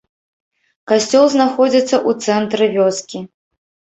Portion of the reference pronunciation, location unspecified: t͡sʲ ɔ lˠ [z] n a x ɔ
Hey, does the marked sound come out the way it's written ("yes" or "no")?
yes